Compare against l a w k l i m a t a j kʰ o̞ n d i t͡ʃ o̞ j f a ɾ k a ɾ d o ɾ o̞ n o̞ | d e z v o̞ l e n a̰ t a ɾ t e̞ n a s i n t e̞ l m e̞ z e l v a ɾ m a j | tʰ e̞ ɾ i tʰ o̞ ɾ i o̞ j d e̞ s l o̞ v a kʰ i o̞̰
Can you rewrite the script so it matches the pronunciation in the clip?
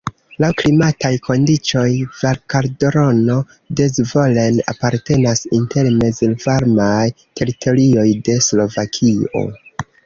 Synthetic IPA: l a w k l i m a t a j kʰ o̞ n d i t͡ʃ o̞ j v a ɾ k a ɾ d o ɾ o̞ n o̞ | d e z v o̞ l e n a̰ p a ɾ t e̞ n a s i n t e̞ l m e̞ z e l v a ɾ m a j | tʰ e̞ ɾ i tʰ o̞ ɾ i o̞ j d e̞ s l o̞ v a kʰ i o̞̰